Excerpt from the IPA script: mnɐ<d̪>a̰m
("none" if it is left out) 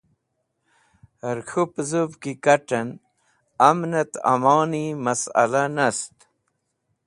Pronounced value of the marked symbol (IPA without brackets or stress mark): t̪